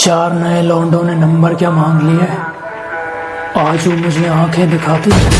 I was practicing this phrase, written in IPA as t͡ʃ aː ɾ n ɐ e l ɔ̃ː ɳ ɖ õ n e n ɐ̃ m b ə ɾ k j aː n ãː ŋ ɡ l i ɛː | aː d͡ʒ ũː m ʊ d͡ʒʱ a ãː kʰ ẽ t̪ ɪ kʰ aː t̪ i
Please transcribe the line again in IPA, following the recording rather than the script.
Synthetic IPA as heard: t͡ʃ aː ɾ n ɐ e l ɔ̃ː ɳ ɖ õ n e n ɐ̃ m b ə ɾ k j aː m ãː ŋ ɡ l i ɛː | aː d͡ʒ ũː m ʊ d͡ʒʱ e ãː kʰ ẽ d̪ ɪ kʰ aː t̪ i